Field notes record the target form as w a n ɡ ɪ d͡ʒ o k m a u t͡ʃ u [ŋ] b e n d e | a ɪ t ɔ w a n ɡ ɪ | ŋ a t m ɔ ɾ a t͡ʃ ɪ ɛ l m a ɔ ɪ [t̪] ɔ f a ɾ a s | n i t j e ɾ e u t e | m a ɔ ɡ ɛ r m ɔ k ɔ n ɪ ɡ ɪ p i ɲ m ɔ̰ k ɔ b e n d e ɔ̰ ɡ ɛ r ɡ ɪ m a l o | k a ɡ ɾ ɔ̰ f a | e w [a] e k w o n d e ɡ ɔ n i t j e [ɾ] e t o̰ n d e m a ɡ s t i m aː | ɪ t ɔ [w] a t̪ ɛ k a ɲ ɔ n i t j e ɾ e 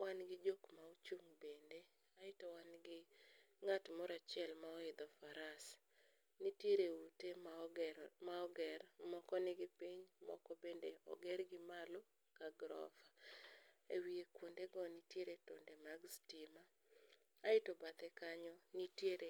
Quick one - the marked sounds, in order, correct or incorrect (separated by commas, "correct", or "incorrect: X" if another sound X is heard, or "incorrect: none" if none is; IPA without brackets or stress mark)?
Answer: correct, incorrect: d̪, incorrect: i, correct, incorrect: b